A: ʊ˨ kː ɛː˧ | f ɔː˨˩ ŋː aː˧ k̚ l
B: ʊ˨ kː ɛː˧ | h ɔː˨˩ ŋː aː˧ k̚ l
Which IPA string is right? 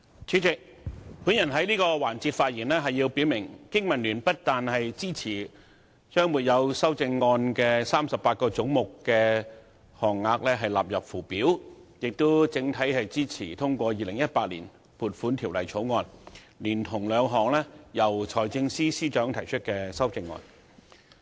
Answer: B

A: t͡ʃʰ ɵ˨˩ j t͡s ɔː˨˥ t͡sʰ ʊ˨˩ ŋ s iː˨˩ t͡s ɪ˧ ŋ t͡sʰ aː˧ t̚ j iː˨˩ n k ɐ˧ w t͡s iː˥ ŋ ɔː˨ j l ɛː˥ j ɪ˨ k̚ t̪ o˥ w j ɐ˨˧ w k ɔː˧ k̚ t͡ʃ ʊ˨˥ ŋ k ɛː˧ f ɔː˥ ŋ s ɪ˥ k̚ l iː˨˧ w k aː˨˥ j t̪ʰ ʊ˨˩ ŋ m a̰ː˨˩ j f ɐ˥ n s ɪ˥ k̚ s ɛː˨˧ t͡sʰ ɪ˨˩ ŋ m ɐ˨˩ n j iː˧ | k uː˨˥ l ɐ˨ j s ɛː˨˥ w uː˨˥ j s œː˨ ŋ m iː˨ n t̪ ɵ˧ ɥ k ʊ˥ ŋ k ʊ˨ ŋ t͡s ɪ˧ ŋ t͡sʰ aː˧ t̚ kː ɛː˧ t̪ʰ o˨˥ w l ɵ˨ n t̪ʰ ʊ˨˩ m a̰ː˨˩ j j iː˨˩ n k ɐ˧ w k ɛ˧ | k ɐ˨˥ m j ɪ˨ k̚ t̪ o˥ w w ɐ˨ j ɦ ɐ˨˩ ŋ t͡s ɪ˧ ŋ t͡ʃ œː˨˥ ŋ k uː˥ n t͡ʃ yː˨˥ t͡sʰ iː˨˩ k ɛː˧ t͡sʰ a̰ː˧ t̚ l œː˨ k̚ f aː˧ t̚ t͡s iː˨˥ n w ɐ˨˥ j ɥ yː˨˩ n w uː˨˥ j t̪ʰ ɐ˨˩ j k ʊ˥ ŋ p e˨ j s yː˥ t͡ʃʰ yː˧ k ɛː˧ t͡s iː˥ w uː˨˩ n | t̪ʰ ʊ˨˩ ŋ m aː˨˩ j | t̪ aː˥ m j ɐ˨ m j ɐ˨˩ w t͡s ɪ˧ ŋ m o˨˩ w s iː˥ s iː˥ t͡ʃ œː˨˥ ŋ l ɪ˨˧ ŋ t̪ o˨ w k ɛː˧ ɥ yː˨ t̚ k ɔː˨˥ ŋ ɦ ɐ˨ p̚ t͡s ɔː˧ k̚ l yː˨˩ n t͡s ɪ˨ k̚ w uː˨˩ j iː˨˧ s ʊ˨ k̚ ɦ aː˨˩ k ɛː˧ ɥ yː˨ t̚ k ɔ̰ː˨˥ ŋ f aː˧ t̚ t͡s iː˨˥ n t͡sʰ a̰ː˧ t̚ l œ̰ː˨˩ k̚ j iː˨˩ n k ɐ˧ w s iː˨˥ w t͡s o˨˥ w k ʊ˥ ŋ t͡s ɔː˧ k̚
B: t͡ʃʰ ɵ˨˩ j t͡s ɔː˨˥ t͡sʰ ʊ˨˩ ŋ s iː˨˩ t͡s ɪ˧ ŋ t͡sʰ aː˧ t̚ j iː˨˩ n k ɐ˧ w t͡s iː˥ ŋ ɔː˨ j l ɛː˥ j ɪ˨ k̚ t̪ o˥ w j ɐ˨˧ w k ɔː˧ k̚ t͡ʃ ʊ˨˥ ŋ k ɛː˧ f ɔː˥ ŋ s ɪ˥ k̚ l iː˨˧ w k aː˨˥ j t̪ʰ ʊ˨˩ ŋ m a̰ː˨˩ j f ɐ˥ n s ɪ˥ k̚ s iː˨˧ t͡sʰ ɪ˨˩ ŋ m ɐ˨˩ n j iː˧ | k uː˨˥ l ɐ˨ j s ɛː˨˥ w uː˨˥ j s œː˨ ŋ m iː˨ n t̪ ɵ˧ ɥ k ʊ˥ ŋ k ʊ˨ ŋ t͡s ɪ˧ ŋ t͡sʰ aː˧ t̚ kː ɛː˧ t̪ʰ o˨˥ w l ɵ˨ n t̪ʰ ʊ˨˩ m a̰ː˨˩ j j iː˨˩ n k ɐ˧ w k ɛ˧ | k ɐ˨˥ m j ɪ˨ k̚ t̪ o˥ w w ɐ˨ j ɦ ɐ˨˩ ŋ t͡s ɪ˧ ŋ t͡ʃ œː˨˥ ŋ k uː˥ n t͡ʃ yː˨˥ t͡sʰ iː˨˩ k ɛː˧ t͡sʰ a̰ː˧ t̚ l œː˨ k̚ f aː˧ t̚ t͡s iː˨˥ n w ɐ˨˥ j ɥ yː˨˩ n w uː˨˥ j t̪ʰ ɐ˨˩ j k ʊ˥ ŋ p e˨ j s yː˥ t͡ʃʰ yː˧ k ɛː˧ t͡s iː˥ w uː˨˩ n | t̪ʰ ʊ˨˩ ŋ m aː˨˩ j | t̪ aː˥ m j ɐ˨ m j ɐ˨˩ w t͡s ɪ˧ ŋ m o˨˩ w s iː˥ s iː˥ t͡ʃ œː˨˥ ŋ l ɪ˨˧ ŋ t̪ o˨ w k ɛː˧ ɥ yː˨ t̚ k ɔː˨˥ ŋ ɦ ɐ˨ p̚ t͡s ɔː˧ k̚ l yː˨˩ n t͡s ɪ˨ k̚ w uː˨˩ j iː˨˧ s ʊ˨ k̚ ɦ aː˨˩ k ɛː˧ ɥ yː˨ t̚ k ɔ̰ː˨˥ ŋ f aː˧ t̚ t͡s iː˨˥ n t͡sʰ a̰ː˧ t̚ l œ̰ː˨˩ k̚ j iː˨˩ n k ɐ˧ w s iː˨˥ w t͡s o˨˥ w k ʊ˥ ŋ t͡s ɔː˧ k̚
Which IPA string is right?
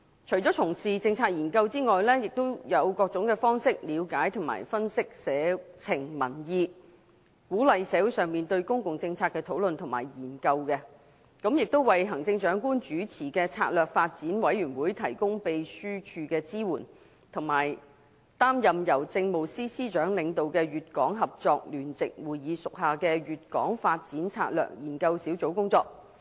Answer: A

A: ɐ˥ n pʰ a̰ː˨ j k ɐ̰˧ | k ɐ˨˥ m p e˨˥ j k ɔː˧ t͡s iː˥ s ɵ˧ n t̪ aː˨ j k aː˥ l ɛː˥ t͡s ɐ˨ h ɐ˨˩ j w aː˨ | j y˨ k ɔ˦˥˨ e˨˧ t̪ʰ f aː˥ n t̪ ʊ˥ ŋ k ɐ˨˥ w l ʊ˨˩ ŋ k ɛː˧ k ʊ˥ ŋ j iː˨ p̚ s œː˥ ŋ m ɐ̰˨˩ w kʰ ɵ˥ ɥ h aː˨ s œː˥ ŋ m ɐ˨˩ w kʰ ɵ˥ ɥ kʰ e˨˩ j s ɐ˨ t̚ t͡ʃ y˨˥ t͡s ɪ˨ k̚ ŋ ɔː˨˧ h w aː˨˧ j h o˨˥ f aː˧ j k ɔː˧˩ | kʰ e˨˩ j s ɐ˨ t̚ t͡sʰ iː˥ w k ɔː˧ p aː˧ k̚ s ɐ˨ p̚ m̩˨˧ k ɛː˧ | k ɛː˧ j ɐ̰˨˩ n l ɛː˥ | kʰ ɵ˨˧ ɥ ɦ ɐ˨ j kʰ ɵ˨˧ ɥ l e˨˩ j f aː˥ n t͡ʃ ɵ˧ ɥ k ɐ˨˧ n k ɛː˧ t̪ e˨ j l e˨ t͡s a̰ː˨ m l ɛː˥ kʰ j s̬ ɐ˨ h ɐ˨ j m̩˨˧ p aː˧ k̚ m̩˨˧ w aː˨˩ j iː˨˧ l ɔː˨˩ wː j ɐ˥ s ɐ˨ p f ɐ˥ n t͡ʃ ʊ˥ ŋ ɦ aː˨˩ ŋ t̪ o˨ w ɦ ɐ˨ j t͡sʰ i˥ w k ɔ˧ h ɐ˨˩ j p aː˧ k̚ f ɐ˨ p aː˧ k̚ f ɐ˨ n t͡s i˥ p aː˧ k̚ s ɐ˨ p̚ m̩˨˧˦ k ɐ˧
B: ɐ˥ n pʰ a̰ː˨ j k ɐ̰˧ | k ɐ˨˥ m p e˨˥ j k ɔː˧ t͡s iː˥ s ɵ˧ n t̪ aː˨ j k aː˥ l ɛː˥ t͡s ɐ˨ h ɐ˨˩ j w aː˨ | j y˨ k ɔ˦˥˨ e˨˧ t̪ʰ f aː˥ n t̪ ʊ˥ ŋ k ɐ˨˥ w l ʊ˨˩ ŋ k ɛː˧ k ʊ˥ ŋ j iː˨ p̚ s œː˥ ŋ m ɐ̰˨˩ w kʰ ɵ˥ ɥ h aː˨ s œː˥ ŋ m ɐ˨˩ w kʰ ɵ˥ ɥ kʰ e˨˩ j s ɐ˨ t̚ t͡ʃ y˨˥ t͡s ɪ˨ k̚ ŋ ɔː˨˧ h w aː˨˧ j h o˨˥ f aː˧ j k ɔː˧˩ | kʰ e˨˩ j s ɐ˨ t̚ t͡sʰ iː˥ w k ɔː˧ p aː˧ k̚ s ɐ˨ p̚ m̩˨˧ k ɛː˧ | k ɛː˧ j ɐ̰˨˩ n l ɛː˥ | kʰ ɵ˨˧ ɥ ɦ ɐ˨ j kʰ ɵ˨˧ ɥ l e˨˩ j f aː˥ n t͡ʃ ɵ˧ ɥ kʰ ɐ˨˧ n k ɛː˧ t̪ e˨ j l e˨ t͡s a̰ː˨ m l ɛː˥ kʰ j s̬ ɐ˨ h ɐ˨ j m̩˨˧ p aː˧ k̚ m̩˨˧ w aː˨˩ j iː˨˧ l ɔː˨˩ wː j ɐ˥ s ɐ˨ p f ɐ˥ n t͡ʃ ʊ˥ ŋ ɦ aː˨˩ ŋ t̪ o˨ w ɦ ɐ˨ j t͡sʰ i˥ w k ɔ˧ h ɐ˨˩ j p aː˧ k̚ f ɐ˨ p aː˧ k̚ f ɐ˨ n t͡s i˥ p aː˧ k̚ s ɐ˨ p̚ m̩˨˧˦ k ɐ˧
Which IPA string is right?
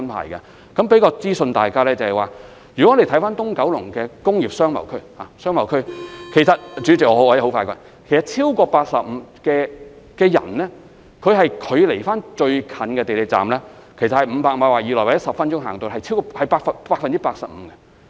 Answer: B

